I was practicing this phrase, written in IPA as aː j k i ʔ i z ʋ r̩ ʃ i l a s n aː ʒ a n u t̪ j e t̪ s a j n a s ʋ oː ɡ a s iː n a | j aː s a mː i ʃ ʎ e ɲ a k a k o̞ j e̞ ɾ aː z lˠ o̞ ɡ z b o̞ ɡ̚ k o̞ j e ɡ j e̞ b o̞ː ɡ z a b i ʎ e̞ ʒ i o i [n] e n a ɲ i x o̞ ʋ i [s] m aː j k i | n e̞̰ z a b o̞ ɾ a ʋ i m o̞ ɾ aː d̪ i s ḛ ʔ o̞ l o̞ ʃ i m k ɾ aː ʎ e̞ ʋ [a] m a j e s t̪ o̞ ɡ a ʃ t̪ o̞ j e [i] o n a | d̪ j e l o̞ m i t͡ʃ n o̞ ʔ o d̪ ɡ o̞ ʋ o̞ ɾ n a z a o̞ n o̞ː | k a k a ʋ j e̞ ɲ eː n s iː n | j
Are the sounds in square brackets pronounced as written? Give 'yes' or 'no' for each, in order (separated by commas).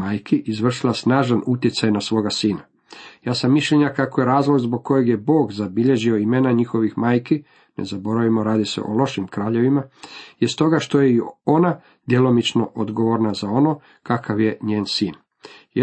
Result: no, no, no, yes